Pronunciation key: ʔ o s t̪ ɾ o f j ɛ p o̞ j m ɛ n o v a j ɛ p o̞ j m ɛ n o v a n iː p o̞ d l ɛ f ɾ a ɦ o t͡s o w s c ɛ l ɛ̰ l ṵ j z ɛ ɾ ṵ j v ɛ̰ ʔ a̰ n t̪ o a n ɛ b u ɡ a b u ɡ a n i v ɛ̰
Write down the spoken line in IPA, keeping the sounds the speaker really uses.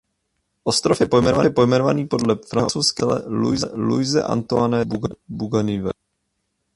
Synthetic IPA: ʔ o s t̪ ɾ o f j ɛ p o̞ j m ɛ n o v a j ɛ p o̞ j m ɛ n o v a n iː p o̞ d l ɛ f ɾ a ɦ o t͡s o w s k ɛ l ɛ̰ l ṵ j z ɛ l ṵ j z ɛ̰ ʔ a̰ n t̪ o a n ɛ b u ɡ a b u ɡ a n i v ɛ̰